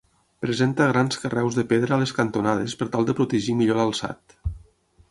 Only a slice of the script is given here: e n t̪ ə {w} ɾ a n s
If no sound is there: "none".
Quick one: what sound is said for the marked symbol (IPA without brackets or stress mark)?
ɣ